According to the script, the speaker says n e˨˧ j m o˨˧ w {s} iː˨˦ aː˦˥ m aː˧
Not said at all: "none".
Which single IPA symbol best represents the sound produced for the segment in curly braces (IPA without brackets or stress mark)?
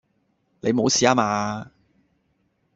s